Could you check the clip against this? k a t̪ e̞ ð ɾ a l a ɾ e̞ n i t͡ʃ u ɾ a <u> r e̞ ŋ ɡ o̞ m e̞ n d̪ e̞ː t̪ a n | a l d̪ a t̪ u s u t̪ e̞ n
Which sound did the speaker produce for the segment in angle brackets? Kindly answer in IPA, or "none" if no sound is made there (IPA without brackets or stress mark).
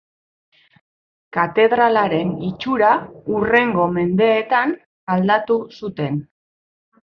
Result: u